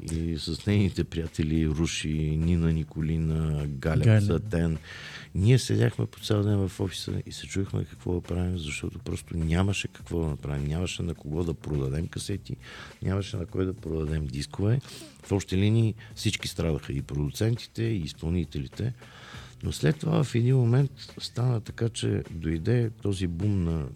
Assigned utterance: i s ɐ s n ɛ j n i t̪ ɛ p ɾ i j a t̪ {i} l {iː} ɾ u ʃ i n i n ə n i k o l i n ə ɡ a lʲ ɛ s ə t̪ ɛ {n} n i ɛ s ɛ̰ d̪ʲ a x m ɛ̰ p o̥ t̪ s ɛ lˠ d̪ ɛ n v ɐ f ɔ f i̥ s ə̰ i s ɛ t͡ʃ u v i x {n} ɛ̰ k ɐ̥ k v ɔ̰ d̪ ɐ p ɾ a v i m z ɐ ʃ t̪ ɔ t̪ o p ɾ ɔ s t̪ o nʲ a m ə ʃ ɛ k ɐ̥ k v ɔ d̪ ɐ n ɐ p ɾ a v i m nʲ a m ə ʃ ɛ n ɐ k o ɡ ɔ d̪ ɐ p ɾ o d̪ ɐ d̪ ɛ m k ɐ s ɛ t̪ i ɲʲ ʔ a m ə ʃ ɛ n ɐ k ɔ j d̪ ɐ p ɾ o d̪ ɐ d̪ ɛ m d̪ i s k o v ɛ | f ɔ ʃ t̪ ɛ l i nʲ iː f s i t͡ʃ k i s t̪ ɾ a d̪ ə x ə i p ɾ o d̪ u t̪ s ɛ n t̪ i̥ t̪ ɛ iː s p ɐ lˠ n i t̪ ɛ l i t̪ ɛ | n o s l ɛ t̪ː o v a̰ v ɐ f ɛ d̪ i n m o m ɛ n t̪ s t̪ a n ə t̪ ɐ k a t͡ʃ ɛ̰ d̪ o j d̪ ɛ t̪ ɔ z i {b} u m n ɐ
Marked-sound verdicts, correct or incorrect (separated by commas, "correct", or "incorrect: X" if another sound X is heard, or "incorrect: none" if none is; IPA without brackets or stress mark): incorrect: ɛ, incorrect: i, correct, incorrect: m, correct